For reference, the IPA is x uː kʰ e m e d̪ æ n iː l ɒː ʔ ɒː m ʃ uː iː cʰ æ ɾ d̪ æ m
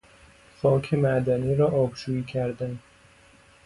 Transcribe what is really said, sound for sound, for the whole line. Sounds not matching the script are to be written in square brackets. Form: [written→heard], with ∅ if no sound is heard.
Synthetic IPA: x [uː→ɒː] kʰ e m [e→æ] d̪ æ n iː [l→ɾ] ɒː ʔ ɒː [m→b] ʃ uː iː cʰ æ ɾ d̪ æ [m→n]

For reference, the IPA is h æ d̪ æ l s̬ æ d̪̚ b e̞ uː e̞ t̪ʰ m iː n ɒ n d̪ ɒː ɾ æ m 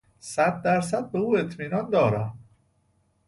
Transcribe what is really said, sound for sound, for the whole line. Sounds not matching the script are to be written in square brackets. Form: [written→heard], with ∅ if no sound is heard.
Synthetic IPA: [h→s] æ [d̪→d̪ː] æ [l→ɾ] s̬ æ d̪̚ b e̞ uː e̞ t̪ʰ m iː n ɒ n d̪ ɒː ɾ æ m

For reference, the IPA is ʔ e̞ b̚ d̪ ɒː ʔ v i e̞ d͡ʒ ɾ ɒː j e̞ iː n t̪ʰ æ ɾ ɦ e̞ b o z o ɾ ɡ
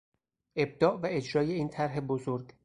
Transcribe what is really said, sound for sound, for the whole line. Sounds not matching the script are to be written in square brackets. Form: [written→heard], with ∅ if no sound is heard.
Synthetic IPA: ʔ e̞ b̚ d̪ ɒː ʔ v [i→æ] e̞ d͡ʒ ɾ ɒː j e̞ iː n t̪ʰ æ ɾ ɦ e̞ b o z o ɾ ɡ

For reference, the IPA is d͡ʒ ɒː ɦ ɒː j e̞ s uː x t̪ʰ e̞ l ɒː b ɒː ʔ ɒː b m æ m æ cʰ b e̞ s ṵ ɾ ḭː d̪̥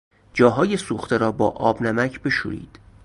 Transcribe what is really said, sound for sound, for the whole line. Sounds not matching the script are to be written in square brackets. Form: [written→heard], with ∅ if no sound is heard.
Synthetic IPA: d͡ʒ ɒː ɦ ɒː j e̞ s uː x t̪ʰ e̞ [l→ɾ] ɒː b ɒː ʔ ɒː b [m→n] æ m æ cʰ b e̞ [s→ʃ] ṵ ɾ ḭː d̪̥

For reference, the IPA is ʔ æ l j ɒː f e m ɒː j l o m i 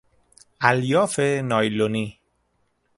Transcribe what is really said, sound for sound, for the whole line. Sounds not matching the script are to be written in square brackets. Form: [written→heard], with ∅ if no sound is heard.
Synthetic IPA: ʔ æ l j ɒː f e [m→n] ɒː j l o [m→n] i

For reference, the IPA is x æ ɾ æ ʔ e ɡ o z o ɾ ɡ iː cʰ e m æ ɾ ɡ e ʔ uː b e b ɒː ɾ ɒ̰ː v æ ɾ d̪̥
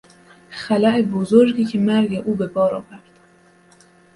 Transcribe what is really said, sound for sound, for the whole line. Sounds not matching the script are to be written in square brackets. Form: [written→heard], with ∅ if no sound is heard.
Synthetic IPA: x æ [ɾ→l] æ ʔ e [ɡ→b] o z o ɾ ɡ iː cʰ e m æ ɾ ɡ e ʔ uː b e b ɒː ɾ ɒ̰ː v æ ɾ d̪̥

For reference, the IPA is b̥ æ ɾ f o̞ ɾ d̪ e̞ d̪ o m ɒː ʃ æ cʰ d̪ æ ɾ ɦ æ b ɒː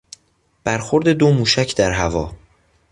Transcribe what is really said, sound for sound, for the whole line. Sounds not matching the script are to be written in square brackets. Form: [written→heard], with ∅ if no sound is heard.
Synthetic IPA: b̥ æ ɾ [f→x] o̞ ɾ d̪ e̞ d̪ o m [ɒː→uː] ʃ æ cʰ d̪ æ ɾ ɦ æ [b→v] ɒː

